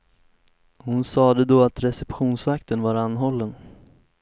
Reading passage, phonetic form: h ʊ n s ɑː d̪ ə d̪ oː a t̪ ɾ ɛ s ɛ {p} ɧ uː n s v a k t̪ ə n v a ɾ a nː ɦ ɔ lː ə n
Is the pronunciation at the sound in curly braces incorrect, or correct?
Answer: correct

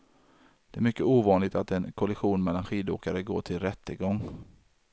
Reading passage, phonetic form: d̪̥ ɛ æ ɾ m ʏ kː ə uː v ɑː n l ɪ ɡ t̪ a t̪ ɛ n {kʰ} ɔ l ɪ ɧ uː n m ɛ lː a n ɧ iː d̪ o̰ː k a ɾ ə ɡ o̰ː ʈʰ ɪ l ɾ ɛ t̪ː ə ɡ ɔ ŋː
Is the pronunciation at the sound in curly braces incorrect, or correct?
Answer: correct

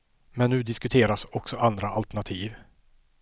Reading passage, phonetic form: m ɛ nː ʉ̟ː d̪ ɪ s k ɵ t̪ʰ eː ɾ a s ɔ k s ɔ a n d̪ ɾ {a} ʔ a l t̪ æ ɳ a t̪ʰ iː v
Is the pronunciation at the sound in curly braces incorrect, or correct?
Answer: correct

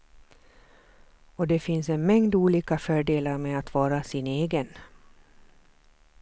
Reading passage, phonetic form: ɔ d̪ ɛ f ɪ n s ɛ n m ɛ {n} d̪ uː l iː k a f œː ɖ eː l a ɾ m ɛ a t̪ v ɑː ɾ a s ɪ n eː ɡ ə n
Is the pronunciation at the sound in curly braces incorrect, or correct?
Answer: incorrect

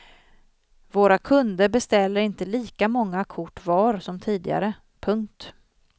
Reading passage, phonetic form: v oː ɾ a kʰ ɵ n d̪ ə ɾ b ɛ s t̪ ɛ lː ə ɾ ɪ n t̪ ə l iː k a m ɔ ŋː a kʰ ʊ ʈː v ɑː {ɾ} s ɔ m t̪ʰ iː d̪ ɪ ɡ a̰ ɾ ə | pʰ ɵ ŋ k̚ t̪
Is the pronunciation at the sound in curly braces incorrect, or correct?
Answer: correct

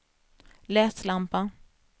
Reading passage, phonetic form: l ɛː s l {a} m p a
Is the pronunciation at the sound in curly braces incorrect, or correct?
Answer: correct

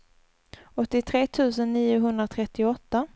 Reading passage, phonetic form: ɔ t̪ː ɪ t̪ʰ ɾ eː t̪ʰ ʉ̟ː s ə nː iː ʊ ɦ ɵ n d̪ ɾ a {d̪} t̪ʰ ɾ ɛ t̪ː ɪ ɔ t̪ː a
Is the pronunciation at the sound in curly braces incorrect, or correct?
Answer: incorrect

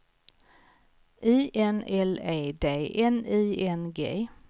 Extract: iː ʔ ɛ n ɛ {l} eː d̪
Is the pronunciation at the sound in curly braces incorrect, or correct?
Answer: correct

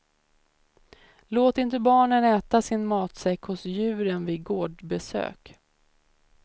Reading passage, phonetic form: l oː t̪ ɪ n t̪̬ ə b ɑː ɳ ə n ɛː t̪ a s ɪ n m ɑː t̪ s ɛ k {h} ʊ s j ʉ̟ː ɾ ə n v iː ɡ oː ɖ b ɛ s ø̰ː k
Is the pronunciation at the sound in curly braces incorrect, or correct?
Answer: correct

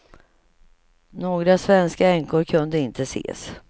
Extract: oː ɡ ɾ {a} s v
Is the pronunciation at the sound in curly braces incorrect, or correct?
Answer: correct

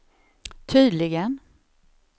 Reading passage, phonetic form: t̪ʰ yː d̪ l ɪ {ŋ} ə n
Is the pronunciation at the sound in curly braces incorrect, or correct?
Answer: incorrect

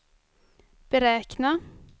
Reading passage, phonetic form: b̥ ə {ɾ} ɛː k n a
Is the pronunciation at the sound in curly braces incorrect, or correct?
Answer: correct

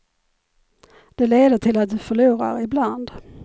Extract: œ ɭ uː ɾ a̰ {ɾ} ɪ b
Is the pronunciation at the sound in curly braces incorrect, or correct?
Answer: correct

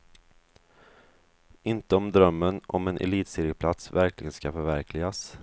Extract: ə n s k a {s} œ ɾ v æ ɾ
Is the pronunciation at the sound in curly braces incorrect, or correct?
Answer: incorrect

